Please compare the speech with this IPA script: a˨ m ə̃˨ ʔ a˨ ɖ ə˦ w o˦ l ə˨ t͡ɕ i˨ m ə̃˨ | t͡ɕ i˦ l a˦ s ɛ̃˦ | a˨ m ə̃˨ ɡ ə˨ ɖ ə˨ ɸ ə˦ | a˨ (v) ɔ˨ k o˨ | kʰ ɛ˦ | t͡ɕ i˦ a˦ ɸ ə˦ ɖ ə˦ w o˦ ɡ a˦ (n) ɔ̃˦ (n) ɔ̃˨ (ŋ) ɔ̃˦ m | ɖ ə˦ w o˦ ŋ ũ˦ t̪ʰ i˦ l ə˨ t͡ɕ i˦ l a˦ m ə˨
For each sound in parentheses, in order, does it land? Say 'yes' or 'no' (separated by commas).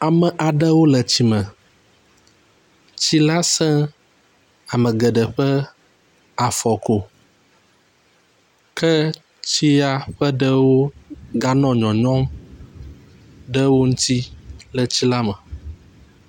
no, yes, no, no